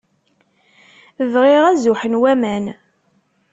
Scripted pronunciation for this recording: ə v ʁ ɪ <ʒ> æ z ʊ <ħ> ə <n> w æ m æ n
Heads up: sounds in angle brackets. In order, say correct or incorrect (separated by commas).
incorrect, correct, correct